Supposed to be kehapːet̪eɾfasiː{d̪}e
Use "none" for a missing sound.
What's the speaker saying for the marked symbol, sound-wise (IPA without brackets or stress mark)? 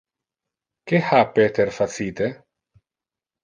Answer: t̪